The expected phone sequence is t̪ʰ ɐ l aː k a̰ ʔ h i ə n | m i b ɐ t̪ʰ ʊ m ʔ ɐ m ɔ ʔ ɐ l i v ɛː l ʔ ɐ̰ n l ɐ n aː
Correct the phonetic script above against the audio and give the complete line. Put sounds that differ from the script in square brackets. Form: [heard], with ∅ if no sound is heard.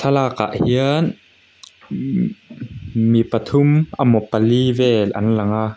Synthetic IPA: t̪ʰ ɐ l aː k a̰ ʔ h i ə n | m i [p] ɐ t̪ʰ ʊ m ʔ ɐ m ɔ [p] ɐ l i v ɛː l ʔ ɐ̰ n l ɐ [ŋ] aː